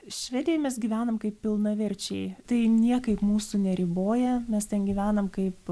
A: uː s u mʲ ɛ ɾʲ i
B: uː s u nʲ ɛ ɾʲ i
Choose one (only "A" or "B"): B